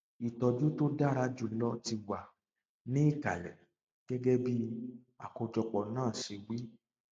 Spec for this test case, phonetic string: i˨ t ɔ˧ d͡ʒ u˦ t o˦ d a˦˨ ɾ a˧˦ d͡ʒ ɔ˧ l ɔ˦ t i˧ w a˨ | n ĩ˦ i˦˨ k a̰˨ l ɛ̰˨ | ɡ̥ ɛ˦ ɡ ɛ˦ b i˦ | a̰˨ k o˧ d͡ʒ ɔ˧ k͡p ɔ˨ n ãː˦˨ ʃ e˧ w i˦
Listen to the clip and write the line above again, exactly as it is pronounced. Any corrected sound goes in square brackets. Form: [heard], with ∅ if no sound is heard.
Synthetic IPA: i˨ t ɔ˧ d͡ʒ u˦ t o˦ d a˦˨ ɾ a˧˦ d͡ʒ [u˧] l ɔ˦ t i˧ w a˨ | n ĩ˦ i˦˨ k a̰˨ l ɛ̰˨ | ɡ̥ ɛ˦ ɡ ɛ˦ b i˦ | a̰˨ k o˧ d͡ʒ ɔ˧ k͡p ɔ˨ n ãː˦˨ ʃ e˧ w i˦